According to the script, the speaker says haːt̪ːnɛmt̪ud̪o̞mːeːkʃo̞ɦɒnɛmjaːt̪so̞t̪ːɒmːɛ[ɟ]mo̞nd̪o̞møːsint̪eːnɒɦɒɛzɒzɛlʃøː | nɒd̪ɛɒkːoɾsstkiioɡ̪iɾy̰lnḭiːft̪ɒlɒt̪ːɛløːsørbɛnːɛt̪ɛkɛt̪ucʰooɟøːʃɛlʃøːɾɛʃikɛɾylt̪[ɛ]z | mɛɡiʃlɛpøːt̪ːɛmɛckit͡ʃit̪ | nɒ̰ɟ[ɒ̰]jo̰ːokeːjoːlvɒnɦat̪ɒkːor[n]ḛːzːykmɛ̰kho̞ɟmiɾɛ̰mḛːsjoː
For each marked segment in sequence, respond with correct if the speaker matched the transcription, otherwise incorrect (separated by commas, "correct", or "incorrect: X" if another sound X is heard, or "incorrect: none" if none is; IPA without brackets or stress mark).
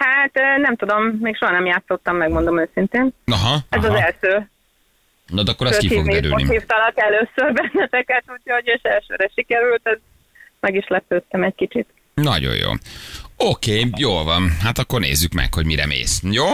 incorrect: ɡ, correct, incorrect: o̰, correct